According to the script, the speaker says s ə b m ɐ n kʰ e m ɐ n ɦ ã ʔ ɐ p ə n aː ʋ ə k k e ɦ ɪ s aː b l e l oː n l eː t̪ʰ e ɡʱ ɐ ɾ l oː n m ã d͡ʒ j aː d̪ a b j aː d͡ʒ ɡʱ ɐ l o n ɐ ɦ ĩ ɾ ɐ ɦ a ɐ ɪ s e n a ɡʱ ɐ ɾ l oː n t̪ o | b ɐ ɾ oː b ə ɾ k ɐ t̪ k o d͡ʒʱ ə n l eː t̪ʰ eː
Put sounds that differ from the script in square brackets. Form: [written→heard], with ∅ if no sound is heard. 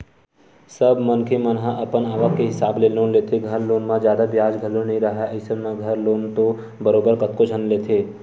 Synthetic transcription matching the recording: s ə b m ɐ n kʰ e m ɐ n ɦ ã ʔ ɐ p ə n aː ʋ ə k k e ɦ ɪ s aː b l e l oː n l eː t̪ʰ e ɡʱ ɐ ɾ l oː n m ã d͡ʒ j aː d̪ a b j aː d͡ʒ ɡʱ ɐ l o n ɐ ɦ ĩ ɾ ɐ ɦ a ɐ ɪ s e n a ɡʱ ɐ ɾ l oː n t̪ o | b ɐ ɾ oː b ə ɾ k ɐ t̪ k o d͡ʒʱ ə n l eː t̪ʰ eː

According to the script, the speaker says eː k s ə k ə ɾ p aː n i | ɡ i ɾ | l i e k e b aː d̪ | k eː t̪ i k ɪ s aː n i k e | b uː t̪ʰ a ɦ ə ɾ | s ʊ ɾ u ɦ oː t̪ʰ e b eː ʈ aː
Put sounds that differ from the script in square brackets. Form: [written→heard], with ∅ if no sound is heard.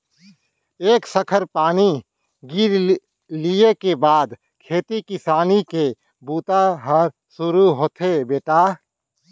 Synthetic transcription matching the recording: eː k s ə [k→kʰ] ə ɾ p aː n i | ɡ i ɾ | l i e k e b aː d̪ | [k→kʰ] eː t̪ i k ɪ s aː n i k e | b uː [t̪ʰ→t̪] a ɦ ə ɾ | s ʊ ɾ u ɦ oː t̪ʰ e b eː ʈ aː

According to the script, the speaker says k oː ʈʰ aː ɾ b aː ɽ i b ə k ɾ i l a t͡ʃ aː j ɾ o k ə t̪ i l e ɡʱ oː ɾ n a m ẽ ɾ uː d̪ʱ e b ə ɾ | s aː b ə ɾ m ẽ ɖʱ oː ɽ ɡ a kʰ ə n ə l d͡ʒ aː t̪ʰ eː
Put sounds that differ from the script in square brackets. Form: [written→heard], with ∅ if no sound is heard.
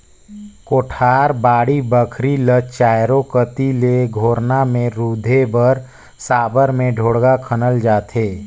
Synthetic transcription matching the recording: k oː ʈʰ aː ɾ b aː ɽ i b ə [k→kʰ] ɾ i l [a→ə] t͡ʃ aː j ɾ o k ə t̪ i l e ɡʱ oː ɾ n a m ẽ ɾ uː d̪ʱ e b ə ɾ | s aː b ə ɾ m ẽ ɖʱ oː ɽ ɡ a kʰ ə n ə l d͡ʒ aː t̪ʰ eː

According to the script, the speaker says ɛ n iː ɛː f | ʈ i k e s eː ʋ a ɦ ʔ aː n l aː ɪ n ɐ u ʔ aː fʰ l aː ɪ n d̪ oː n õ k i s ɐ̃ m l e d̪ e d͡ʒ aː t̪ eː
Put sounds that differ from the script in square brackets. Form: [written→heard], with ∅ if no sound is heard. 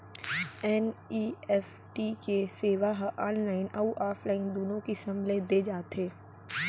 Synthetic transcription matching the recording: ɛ n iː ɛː f | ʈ i k e s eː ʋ a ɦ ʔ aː n l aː ɪ n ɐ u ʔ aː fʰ l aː ɪ n d̪ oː n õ k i s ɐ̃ m l e d̪ e d͡ʒ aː t̪ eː

